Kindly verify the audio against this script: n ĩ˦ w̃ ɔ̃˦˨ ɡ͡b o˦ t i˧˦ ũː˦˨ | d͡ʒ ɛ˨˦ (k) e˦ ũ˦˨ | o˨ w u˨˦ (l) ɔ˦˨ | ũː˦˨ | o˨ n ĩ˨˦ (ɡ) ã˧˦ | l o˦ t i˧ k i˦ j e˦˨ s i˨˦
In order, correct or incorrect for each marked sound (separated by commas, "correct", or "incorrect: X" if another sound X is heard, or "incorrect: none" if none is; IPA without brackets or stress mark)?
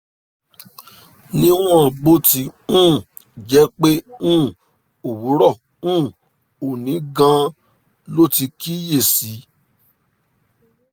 incorrect: k͡p, incorrect: ɾ, correct